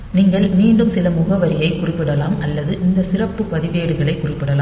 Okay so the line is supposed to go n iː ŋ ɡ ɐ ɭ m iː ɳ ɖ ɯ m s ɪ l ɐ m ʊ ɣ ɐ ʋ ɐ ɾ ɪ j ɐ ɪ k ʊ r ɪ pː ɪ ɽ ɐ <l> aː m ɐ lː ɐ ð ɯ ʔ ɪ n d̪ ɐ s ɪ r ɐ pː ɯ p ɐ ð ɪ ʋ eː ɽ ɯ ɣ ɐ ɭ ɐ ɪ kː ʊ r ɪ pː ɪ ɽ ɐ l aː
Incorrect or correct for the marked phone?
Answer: correct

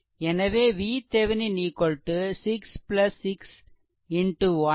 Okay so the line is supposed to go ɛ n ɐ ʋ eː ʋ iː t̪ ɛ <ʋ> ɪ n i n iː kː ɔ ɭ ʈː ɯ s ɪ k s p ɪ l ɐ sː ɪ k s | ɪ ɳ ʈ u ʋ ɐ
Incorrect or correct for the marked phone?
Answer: correct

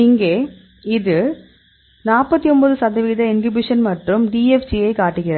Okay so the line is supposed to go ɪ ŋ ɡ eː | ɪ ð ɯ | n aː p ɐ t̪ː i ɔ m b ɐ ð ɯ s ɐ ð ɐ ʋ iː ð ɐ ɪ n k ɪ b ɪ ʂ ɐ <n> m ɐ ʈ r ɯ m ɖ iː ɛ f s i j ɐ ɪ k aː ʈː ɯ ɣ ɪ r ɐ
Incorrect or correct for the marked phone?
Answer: correct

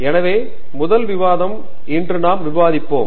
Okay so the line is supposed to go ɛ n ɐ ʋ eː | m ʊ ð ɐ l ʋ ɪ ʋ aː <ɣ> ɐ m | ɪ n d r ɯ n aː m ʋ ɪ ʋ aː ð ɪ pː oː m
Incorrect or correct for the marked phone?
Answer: incorrect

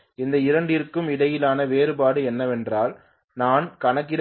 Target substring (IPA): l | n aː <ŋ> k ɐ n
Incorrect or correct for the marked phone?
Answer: incorrect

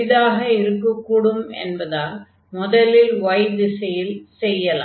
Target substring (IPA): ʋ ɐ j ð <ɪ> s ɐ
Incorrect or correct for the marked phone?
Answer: correct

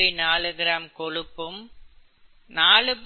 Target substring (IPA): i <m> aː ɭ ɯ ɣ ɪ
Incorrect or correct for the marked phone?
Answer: incorrect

